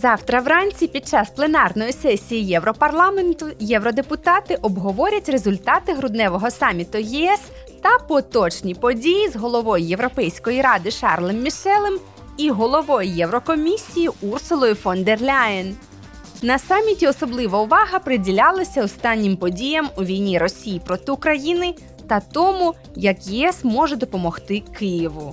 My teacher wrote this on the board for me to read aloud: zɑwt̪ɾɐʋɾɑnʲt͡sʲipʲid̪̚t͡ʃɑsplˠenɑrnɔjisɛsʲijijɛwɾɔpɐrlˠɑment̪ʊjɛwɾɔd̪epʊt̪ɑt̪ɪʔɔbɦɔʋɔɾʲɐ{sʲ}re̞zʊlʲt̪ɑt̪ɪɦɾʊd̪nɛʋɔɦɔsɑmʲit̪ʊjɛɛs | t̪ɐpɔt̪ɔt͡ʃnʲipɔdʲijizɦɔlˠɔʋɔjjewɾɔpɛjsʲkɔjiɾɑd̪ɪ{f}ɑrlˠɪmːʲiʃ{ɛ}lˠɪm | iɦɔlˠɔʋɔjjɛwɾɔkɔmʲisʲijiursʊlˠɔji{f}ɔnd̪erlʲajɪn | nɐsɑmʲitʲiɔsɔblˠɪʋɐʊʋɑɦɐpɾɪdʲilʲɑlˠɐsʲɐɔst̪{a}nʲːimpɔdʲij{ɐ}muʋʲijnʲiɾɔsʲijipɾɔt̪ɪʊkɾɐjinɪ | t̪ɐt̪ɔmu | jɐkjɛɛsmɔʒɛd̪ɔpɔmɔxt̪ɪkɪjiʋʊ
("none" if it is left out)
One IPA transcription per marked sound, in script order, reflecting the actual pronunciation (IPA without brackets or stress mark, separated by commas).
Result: tʲ, ʃ, ɛ, f, ɑ, ɐ